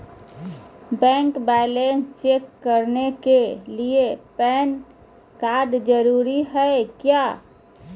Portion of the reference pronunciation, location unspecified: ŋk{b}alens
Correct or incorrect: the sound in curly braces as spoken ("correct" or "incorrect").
correct